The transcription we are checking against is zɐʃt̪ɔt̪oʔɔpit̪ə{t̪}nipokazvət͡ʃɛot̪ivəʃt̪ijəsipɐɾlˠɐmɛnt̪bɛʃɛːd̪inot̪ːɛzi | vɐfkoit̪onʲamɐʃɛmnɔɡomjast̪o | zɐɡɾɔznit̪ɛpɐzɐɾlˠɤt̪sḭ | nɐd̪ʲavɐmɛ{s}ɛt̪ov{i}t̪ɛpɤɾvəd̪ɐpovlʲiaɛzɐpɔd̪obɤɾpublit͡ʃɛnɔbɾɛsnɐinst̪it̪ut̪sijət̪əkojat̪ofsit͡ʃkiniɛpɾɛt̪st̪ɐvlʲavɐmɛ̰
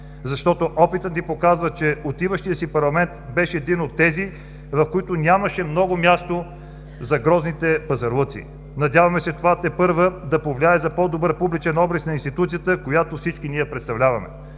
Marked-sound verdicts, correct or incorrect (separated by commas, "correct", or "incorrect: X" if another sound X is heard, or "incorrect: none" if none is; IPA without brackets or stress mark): correct, correct, incorrect: a